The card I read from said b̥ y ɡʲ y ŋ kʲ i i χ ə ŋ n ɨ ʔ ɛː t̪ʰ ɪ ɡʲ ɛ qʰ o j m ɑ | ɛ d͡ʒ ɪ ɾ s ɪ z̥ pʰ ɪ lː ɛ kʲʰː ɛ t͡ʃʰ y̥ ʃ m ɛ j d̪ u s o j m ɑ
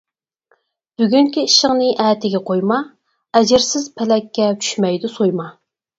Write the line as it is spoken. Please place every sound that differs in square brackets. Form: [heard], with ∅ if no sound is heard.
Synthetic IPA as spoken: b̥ y ɡʲ y ŋ kʲ i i [ʃ] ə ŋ n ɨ ʔ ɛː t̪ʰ ɪ ɡʲ ɛ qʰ o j m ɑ | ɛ d͡ʒ ɪ ɾ s ɪ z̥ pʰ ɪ [l] ɛ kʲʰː ɛ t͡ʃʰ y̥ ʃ m ɛ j d̪ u s o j m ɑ